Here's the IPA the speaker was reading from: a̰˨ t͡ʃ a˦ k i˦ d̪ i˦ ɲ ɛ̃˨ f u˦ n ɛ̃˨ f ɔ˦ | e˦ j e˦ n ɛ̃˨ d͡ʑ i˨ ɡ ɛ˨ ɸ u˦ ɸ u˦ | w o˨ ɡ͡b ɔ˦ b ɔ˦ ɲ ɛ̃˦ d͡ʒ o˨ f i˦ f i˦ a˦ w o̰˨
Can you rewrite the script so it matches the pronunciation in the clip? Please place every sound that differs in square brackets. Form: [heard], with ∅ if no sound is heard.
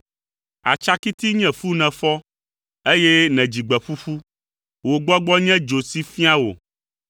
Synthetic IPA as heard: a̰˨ t͡ʃ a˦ k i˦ [t̪] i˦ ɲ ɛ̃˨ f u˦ n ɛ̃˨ f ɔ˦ | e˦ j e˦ n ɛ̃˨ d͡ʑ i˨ [ɡ͡b] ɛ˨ ɸ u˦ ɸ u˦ | w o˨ ɡ͡b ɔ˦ [ɡ͡b] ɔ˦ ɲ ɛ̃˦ d͡ʒ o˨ [s] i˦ f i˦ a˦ w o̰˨

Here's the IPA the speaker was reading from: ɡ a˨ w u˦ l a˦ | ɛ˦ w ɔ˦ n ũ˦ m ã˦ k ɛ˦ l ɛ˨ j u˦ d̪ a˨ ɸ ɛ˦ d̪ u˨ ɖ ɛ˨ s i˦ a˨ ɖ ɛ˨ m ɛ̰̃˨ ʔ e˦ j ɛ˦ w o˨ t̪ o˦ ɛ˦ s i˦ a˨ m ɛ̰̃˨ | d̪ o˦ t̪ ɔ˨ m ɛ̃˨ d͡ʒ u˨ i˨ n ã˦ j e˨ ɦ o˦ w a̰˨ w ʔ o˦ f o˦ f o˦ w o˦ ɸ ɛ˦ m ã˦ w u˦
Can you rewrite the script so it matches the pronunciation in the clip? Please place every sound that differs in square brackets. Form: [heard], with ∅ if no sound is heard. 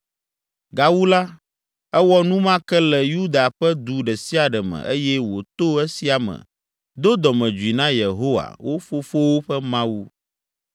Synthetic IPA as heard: ɡ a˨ w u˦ l a˦ | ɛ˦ w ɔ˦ n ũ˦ m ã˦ k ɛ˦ l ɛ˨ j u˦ d̪ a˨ ɸ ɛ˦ d̪ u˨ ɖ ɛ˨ s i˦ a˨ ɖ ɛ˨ m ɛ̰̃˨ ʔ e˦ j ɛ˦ w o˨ t̪ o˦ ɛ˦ s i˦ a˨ m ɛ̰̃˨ | d̪ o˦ [d̪] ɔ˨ m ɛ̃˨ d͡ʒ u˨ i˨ n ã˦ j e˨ ɦ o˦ w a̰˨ w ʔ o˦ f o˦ f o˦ w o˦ ɸ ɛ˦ m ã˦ w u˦

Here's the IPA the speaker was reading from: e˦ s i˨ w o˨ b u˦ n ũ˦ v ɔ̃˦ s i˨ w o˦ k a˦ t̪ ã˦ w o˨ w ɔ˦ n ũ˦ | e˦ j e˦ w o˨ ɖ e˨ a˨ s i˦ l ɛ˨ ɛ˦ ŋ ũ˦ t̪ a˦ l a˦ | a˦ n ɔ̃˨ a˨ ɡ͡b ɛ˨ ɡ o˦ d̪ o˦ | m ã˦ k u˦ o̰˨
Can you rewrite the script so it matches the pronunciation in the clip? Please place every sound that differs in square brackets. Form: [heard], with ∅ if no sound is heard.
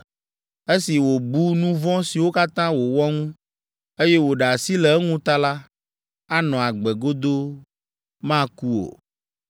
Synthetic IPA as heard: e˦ s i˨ w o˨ b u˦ n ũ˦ v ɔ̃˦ s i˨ w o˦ k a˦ t̪ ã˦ w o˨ w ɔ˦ [ŋ] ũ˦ | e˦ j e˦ w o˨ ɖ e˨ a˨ s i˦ l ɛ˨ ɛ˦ ŋ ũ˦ t̪ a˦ l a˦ | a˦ n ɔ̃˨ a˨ ɡ͡b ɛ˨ ɡ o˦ d̪ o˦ | m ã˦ k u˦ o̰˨

